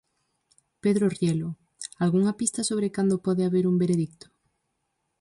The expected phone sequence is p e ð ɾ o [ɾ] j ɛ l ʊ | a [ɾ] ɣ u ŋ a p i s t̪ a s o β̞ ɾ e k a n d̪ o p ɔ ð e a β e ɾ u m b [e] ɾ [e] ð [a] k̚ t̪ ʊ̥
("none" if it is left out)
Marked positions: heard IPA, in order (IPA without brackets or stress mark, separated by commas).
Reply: r, l, e, e, i